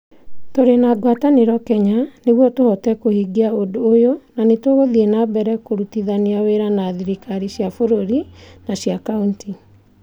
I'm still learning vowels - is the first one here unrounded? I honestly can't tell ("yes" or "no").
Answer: no